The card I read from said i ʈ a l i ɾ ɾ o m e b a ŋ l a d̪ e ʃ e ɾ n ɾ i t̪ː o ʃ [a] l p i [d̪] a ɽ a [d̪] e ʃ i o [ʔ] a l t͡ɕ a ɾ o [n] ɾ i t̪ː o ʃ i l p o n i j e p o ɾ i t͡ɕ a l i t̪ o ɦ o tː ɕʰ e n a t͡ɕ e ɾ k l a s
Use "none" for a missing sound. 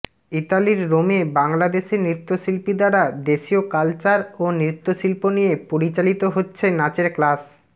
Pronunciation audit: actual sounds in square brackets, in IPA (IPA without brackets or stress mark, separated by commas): i, d̪, d̪, k, n